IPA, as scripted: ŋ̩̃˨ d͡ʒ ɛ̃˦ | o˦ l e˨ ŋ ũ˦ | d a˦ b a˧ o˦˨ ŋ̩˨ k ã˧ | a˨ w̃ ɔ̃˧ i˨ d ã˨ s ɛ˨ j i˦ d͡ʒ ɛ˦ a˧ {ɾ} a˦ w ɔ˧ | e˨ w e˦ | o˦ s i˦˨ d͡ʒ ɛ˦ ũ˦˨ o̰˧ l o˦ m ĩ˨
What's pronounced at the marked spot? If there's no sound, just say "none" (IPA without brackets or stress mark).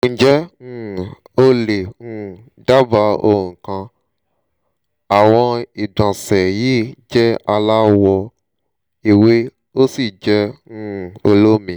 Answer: l